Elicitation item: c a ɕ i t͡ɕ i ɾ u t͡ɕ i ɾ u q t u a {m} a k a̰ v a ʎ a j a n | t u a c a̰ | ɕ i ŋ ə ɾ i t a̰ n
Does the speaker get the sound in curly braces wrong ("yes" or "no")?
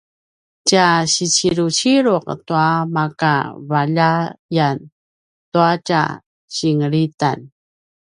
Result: no